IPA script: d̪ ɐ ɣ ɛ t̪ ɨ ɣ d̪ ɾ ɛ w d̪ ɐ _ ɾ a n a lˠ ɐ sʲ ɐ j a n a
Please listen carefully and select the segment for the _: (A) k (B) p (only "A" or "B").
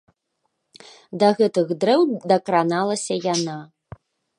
A